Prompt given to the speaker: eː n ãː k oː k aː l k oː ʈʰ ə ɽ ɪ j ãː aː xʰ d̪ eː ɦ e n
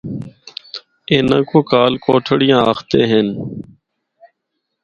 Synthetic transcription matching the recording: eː n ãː k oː k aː l k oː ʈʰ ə ɽ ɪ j ãː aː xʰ t̪ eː ɦ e n